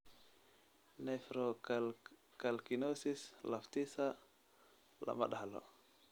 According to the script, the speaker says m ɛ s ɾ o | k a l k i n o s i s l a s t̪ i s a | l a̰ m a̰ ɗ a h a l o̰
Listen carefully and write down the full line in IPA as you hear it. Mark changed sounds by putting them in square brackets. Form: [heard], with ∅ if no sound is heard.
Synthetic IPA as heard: [n] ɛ [f] ɾ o | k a l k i n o s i s l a [f] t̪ i s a | l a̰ m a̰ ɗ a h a l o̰